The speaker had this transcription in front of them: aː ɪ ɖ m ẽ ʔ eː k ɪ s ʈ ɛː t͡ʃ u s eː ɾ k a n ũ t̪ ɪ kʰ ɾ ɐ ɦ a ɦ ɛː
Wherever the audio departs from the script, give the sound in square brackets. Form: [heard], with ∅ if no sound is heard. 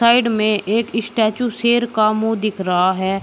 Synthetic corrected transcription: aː ɪ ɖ m ẽ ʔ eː k ɪ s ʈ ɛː t͡ʃ u s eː ɾ k a [m] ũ [d̪] ɪ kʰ ɾ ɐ ɦ a ɦ ɛː